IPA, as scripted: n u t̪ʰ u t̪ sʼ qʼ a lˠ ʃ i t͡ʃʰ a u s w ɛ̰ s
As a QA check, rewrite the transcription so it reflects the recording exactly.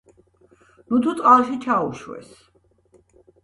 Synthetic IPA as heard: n u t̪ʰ u t̪ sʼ qʼ a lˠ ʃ i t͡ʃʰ a u ʃ w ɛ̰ s

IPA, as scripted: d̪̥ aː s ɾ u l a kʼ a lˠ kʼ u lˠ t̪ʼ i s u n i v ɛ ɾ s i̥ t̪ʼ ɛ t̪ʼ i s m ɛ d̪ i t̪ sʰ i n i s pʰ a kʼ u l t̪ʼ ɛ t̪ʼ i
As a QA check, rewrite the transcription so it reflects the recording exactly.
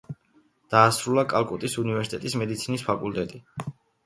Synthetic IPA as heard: d̪̥ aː s ɾ u l a kʼ a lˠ kʼ u t̪ʼ i s u n i v ɛ ɾ s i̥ t̪ʼ ɛ t̪ʼ i s m ɛ d̪ i t̪ sʰ i n i s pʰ a kʼ u l t̪ʼ ɛ t̪ʼ i

